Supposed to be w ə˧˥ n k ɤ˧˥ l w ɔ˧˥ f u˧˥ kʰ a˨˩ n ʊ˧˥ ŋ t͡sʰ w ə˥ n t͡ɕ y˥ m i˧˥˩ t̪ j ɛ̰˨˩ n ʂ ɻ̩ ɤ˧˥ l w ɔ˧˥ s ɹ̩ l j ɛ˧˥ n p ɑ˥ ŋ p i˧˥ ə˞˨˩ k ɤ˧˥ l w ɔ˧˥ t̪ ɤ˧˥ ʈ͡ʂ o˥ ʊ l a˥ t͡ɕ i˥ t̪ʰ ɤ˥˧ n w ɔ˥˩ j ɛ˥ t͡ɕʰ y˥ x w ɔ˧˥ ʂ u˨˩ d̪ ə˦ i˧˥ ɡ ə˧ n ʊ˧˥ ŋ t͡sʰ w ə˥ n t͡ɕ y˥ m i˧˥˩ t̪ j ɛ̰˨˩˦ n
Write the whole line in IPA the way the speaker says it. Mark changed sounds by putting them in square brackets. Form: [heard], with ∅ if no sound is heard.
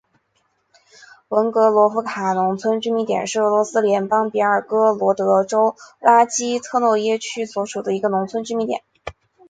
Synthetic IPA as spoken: w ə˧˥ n k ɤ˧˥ l w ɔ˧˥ f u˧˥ kʰ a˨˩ n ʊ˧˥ ŋ t͡sʰ w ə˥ n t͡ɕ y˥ m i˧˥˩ t̪ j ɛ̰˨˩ n ʂ ɻ̩ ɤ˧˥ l w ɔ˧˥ s ɹ̩ l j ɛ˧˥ n p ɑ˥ ŋ p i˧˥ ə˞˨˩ k [ɤ˥] l w ɔ˧˥ t̪ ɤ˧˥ ʈ͡ʂ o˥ ʊ l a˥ t͡ɕ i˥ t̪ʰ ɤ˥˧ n w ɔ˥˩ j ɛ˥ t͡ɕʰ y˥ [s] w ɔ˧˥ ʂ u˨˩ d̪ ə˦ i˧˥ ɡ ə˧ n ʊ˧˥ ŋ t͡sʰ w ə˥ n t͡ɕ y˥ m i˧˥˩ t̪ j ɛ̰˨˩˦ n